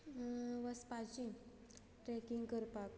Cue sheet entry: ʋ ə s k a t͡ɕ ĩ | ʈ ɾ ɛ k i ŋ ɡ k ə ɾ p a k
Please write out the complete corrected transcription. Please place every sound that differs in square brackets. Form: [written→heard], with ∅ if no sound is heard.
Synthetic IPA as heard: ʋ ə s [k→p] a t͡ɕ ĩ | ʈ ɾ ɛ k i ŋ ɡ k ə ɾ p a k